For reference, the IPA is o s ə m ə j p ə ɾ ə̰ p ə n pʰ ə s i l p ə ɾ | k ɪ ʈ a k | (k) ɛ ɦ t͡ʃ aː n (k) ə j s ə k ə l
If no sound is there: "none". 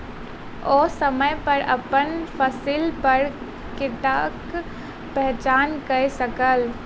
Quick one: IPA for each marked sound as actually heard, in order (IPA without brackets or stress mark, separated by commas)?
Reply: p, k